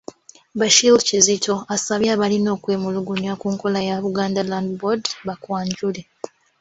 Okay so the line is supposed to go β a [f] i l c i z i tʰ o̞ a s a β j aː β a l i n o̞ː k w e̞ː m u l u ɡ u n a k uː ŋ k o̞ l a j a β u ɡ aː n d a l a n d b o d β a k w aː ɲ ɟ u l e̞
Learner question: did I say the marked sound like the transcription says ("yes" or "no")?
no